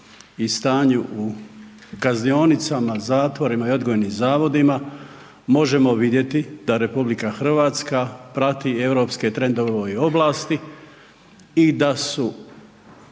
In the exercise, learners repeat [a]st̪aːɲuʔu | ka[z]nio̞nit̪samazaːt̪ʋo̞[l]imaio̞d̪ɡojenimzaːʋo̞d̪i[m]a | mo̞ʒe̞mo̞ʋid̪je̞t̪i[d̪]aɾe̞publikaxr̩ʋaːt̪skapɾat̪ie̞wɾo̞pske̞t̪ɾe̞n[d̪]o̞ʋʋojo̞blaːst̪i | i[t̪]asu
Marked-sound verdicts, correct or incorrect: incorrect: i, correct, incorrect: ɾ, correct, correct, correct, incorrect: d̪

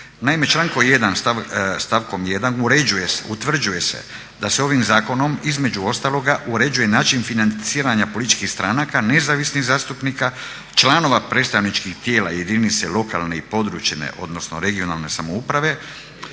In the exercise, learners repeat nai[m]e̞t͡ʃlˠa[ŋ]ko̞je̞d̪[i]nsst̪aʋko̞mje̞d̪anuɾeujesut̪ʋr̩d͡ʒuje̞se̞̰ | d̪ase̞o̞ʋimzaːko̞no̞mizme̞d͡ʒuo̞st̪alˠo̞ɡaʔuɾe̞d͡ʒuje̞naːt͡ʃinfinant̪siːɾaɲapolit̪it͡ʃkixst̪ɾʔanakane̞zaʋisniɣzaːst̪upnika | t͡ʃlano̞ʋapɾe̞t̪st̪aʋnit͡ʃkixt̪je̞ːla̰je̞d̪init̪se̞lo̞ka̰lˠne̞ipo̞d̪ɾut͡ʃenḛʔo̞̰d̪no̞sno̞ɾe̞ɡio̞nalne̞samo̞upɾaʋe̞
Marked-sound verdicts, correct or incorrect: correct, correct, incorrect: a

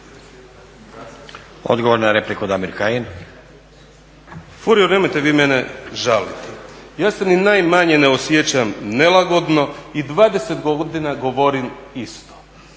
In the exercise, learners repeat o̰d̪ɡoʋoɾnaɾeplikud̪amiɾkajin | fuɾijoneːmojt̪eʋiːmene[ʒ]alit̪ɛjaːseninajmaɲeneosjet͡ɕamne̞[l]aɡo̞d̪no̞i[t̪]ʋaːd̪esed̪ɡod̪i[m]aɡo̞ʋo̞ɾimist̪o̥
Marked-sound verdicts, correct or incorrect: correct, correct, incorrect: d̪, incorrect: n

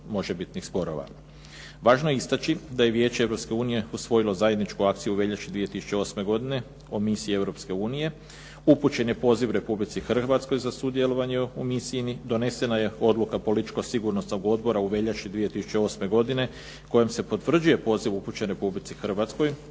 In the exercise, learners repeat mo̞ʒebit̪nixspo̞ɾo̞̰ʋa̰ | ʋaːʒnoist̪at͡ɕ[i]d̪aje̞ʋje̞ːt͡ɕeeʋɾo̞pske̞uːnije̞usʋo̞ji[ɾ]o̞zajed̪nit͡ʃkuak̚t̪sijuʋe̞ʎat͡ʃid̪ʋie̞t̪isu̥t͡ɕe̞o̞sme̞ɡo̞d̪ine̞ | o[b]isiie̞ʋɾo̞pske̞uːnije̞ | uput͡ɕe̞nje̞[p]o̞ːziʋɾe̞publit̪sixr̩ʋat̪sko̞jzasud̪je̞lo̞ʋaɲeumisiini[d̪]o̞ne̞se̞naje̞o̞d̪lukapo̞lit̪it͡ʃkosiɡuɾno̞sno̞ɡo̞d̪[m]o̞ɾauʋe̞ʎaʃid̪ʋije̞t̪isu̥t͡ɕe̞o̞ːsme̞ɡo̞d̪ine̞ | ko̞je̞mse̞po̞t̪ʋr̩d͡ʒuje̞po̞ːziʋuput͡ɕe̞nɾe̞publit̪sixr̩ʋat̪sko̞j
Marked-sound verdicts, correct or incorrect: correct, incorrect: l, incorrect: m, correct, correct, incorrect: b

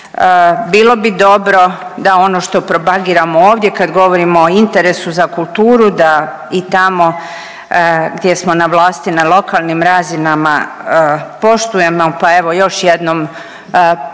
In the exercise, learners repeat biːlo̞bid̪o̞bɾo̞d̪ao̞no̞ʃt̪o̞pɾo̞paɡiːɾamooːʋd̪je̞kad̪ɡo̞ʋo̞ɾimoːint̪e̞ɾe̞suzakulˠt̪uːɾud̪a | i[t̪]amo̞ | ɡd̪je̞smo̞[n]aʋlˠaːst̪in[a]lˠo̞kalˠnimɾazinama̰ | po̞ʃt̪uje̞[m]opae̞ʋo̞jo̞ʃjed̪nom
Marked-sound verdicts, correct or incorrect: correct, correct, correct, correct

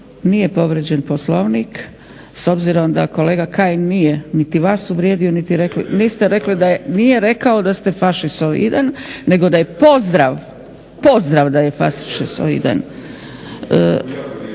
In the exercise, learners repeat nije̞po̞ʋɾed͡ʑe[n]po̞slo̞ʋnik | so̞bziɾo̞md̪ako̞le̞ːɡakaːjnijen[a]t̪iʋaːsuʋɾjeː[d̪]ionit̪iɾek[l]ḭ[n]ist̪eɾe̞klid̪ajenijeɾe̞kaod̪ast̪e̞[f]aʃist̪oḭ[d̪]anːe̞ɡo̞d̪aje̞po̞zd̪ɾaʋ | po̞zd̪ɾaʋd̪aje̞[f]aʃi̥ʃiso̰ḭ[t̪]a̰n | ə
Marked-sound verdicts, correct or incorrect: correct, incorrect: i, correct, correct, correct, correct, correct, correct, incorrect: d̪

